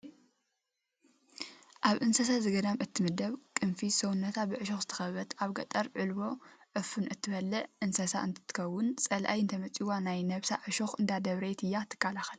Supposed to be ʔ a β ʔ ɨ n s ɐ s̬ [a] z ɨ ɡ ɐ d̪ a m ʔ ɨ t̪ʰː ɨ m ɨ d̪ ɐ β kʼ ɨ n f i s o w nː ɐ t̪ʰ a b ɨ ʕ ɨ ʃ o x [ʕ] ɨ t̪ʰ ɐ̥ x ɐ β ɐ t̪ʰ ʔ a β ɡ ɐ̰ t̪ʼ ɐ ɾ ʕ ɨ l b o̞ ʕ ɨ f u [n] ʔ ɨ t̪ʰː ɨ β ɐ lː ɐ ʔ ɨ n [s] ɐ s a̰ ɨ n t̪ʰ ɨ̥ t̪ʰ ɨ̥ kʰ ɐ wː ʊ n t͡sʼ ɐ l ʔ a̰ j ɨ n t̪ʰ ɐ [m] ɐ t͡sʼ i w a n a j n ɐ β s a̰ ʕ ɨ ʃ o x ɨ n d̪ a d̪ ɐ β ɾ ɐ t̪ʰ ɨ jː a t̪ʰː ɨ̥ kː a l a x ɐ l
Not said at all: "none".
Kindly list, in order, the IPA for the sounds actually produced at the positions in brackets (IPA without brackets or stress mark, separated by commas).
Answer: a, z, n, s, m